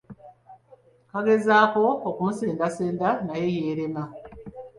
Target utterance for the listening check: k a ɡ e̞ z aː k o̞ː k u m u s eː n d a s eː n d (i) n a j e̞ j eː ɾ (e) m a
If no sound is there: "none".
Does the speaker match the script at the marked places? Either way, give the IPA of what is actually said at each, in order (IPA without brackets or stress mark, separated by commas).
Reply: a, e